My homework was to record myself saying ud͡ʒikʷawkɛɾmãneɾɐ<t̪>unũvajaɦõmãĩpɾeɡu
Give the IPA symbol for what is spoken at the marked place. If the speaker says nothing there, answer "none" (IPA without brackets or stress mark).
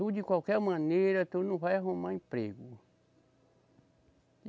t̪